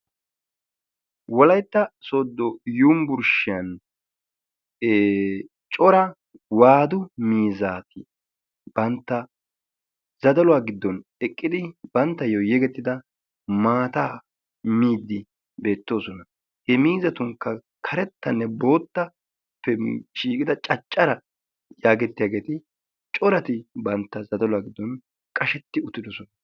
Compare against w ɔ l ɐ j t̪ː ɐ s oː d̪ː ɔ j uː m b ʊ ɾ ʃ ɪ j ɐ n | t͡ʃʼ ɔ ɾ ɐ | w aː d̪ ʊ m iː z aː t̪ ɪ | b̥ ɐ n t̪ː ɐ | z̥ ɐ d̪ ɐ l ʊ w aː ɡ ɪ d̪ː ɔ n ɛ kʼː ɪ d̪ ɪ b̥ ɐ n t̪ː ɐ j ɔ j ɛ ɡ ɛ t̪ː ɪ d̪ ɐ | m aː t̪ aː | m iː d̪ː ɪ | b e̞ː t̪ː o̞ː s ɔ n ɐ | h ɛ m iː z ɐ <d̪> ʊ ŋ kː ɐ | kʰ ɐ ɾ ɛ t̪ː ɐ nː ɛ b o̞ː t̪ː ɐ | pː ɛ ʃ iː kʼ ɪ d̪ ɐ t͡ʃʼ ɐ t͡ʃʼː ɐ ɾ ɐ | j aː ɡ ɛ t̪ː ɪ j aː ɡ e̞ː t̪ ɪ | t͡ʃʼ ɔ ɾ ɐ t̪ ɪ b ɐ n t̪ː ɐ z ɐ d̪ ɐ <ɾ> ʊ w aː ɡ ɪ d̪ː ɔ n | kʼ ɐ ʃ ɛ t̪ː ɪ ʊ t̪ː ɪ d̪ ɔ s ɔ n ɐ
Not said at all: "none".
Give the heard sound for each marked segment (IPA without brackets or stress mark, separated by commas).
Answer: t̪, l